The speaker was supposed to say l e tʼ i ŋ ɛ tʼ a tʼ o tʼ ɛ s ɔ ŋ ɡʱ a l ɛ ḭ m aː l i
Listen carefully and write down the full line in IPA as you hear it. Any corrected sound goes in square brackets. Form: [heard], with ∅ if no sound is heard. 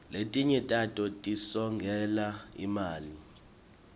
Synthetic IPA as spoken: l e tʼ i [ɲ] ɛ tʼ a tʼ [ɔ] tʼ [i] s ɔ ŋ ɡʱ [ɛ] l [a] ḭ m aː l i